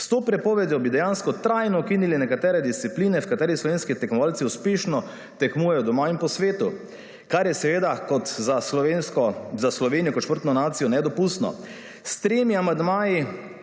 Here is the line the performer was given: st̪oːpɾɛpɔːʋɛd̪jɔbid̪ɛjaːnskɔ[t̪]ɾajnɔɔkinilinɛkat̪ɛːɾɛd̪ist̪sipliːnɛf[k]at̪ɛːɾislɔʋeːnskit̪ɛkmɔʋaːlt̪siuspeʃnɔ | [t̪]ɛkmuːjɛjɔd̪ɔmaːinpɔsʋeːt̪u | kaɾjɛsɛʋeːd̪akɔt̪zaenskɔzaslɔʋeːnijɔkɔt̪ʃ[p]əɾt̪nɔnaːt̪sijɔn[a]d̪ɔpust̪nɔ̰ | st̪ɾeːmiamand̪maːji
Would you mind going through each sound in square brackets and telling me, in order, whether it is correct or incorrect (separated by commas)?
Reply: correct, correct, correct, correct, incorrect